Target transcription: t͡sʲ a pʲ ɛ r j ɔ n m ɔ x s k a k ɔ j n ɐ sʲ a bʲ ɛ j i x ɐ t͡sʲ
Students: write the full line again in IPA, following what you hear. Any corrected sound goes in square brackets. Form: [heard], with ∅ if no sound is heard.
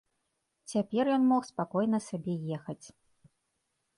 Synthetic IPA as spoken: t͡sʲ a pʲ ɛ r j ɔ n m ɔ x s [p] a k ɔ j n ɐ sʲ a bʲ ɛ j [ɛ] x ɐ t͡sʲ